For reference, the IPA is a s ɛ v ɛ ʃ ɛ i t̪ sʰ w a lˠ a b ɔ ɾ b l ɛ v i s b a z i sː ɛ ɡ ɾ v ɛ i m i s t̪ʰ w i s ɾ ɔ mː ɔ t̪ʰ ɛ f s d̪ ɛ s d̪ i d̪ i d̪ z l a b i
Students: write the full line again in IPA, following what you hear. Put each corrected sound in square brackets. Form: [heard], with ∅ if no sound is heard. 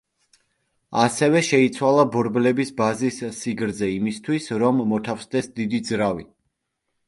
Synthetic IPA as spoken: a s ɛ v ɛ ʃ ɛ i t̪ sʰ w a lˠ a b ɔ ɾ b l ɛ [b] i s b a z i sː [i] ɡ ɾ [z] ɛ i m i s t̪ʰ w i s ɾ ɔ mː ɔ t̪ʰ [a] f s d̪ ɛ s d̪ i d̪ i d̪ z [ɾ] a [v] i